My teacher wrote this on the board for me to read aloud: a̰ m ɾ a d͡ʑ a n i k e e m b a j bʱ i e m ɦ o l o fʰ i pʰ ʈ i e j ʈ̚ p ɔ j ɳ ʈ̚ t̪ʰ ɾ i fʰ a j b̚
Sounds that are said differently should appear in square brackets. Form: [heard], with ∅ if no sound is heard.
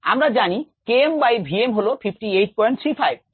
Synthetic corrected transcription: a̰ m ɾ a d͡ʑ a n i k e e m b a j bʱ i e m ɦ o l o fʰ i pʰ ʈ i e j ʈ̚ p ɔ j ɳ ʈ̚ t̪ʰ ɾ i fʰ a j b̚